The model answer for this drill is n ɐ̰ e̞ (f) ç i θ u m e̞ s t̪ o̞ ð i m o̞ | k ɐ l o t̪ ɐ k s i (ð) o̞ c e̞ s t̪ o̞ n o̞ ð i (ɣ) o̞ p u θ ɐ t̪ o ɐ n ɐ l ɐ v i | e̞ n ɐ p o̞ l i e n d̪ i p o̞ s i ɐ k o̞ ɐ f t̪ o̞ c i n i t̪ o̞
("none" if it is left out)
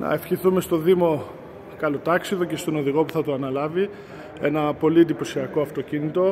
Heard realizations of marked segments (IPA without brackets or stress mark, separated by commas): f, ð, ɣ